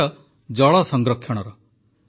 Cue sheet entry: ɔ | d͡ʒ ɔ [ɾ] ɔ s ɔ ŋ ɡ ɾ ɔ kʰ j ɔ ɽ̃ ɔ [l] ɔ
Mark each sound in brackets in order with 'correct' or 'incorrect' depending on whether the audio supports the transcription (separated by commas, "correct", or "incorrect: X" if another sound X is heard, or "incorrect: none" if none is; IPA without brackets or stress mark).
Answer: incorrect: ɭ, incorrect: ɾ